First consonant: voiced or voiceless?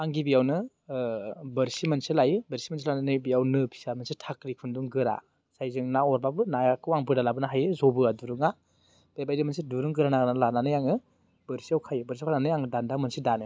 voiced